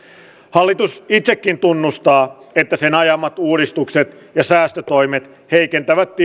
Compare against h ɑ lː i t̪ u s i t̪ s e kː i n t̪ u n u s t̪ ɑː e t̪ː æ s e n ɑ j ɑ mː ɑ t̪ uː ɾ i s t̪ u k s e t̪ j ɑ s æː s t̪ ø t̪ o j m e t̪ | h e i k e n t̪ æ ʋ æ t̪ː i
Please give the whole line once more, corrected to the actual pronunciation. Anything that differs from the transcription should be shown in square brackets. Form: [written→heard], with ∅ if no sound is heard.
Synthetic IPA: h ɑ lː i t̪ u s i t̪ s e kː i n t̪ u [n→nː] u s t̪ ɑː e t̪ː æ s e n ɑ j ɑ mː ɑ t̪ uː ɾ i s t̪ u k s e t̪ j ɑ s æː s t̪ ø t̪ o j m e t̪ | h e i k e n t̪ æ ʋ æ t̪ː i